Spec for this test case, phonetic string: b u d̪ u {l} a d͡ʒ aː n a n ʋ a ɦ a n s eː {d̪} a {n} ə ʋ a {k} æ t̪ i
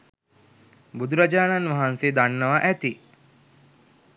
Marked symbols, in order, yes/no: no, yes, no, no

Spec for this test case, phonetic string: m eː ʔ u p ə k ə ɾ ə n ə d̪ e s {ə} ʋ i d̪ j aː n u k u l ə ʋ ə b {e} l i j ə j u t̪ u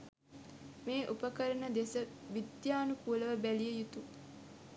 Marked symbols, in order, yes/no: yes, no

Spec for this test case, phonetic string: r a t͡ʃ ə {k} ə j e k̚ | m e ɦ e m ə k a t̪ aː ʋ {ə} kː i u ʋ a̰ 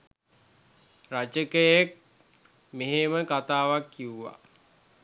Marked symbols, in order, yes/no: yes, no

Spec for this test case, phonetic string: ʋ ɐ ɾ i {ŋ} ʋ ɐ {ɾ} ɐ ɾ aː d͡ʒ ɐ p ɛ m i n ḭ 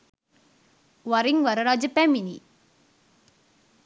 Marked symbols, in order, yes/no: yes, yes

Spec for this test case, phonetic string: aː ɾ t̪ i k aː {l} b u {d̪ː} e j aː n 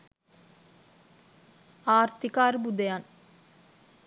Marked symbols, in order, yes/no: no, no

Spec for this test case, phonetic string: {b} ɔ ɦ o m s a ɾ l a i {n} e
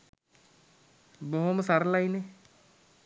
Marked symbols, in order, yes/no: yes, yes

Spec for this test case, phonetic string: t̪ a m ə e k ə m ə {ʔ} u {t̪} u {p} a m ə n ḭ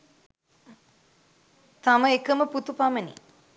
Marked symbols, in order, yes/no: no, yes, yes

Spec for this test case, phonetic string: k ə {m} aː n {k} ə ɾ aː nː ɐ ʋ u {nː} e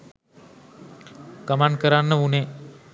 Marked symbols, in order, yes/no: yes, yes, no

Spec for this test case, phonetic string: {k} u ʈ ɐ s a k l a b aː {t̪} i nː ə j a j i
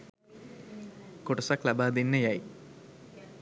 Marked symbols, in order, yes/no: yes, no

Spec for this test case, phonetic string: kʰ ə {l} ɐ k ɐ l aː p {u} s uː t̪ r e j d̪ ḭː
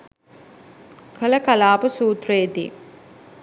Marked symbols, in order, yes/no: yes, yes

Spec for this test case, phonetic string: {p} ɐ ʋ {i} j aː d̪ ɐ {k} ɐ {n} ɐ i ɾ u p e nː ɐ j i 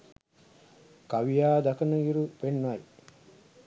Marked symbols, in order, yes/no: no, yes, yes, yes

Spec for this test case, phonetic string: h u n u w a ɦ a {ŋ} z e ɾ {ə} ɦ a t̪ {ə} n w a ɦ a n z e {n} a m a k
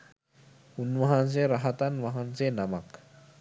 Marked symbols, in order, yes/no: no, no, no, yes

